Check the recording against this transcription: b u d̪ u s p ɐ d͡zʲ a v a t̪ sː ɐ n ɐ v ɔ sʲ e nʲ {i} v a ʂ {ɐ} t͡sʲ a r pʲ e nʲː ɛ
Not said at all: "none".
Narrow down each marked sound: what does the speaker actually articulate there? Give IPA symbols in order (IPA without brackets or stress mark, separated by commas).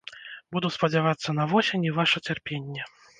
i, ɐ